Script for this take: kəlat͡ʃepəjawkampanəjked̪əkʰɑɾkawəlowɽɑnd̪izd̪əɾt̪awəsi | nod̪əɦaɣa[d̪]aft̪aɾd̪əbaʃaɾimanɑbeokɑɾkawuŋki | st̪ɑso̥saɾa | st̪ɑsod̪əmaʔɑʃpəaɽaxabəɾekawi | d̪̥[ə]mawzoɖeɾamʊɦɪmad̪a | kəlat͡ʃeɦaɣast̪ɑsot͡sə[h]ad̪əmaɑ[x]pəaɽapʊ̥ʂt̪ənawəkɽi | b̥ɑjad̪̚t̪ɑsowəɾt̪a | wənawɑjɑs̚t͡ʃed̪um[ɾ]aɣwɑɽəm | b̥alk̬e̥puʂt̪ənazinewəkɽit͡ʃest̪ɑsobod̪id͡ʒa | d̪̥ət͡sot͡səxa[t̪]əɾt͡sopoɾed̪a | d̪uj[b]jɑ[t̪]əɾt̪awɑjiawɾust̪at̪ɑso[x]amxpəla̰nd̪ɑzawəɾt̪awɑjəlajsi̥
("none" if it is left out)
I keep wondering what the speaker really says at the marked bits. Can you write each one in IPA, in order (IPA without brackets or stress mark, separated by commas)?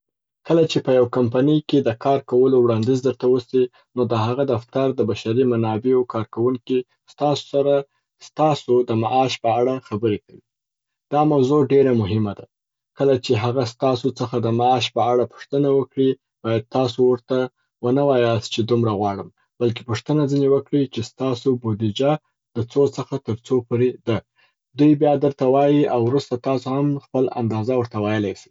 d̪, ɑ, x, ʃ, ɾ, t̪, b, d̪, h